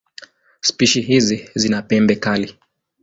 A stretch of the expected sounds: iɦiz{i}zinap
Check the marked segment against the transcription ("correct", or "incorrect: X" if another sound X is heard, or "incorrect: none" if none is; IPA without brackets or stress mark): correct